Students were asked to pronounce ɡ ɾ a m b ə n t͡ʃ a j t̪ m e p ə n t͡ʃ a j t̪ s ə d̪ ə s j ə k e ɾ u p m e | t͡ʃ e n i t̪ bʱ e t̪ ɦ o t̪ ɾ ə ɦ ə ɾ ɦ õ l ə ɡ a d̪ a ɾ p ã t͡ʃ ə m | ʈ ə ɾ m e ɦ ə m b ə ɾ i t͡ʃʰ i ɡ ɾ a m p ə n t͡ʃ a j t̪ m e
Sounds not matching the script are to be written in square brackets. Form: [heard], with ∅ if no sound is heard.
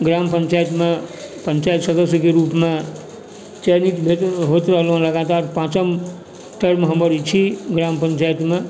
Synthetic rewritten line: ɡ ɾ a m [p] ə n t͡ʃ a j t̪ m e p ə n t͡ʃ a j t̪ s ə d̪ ə s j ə k e ɾ u p m e | t͡ʃ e n i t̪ bʱ e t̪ ɦ o t̪ ɾ ə ɦ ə [l] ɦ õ l ə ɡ a [t̪] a ɾ p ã t͡ʃ ə m | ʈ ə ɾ m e ɦ ə m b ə ɾ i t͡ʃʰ i ɡ ɾ a m p ə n t͡ʃ a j t̪ m e